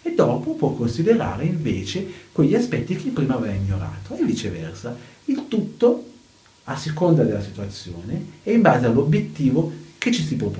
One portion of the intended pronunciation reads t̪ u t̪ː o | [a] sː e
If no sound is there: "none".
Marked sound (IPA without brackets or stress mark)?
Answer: a